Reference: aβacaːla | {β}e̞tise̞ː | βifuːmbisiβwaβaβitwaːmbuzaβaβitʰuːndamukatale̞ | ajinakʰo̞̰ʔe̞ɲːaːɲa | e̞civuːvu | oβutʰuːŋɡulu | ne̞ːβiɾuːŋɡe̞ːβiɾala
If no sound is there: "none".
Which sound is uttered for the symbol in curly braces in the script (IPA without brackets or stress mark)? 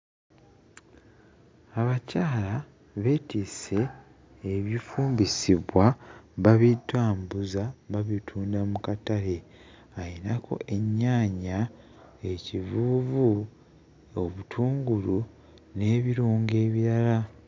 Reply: β